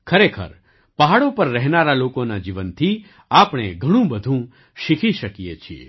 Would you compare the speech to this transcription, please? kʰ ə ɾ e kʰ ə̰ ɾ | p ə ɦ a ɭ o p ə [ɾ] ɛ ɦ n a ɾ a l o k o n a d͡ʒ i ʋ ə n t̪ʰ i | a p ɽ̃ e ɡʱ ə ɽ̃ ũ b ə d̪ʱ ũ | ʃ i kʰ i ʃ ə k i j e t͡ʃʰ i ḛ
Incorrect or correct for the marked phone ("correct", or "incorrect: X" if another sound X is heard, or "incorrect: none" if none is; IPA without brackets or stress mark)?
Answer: incorrect: ɾː